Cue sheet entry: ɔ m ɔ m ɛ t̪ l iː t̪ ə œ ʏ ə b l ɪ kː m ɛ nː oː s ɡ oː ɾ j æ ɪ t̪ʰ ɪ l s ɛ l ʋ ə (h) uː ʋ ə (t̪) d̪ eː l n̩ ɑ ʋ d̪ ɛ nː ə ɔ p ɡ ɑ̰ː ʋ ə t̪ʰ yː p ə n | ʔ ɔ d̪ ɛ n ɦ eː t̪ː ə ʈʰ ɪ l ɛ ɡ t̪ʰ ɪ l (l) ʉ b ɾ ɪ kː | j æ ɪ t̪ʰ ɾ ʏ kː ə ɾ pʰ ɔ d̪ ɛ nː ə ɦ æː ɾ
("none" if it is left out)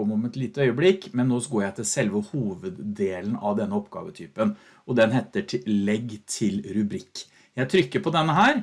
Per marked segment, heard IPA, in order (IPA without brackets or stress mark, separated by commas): h, d̪, ɾ